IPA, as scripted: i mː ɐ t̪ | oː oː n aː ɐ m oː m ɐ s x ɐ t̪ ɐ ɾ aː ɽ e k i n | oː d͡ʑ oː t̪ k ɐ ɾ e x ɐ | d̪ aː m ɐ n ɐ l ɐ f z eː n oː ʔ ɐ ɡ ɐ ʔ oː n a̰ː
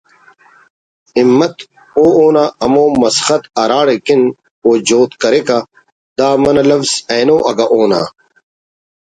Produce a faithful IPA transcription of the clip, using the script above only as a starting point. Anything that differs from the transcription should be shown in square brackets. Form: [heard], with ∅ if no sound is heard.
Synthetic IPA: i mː ɐ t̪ | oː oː n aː ɐ m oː m ɐ s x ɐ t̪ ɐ ɾ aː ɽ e k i n | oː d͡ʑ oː t̪ k ɐ ɾ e [k] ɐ | d̪ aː m ɐ n ɐ l ɐ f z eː n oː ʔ ɐ ɡ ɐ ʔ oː n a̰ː